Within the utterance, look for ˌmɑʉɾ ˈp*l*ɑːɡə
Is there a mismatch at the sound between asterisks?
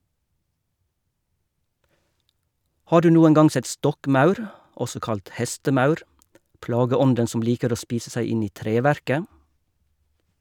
no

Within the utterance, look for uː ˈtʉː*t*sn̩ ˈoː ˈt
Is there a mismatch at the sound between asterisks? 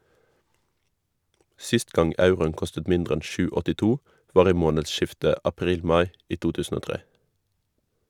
yes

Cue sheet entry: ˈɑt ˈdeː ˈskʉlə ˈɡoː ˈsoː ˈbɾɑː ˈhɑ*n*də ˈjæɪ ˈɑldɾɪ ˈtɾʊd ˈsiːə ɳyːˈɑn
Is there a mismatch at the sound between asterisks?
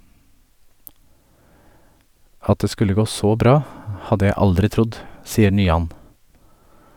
yes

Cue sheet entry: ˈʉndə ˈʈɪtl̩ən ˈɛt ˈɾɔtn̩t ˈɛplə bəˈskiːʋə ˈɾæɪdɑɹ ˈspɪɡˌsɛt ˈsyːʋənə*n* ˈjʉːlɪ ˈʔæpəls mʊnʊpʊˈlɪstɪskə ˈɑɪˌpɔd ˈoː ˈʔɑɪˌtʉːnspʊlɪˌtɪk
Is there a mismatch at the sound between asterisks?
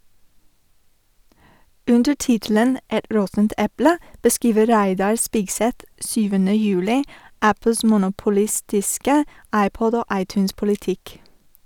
yes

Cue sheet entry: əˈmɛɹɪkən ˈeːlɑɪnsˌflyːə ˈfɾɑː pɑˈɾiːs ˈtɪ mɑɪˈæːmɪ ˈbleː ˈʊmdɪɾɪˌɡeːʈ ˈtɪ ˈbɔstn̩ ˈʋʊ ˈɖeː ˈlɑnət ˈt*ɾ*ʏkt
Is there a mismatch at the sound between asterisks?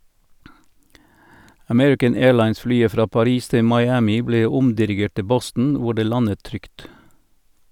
no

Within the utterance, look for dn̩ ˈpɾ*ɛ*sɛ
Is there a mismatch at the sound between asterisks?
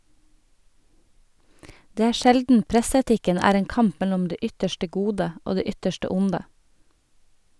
no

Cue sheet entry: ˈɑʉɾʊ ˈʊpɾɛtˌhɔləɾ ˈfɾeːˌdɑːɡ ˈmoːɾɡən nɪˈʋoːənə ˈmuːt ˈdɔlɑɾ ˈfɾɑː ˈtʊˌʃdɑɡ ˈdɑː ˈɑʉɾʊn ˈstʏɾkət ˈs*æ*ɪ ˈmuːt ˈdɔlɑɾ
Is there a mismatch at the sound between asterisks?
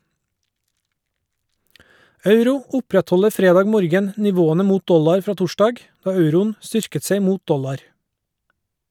yes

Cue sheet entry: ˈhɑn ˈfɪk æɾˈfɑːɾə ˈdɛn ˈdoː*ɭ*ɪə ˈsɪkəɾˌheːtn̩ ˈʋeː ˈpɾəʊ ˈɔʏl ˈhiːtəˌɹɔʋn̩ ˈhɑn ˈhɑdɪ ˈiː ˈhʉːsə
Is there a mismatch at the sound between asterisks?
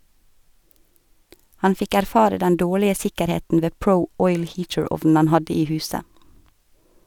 no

